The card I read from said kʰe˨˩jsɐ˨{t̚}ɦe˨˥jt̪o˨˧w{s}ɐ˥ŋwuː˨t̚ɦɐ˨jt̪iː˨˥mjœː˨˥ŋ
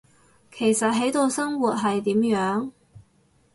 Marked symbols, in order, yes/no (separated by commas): yes, yes